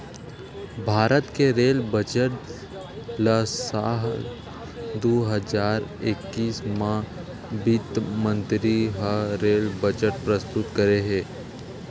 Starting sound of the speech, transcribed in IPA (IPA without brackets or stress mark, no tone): bʱ